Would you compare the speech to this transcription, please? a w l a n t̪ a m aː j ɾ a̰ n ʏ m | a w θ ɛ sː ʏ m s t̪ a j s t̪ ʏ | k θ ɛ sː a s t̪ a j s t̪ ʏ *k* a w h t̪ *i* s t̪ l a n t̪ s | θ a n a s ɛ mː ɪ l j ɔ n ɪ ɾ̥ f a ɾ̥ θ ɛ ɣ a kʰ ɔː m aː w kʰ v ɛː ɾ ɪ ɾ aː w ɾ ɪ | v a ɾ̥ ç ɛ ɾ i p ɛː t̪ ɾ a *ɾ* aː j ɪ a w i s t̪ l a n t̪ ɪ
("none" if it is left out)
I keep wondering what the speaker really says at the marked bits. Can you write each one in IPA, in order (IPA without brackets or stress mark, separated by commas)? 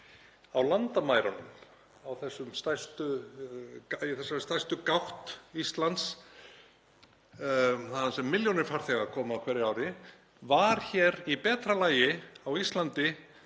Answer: k, i, l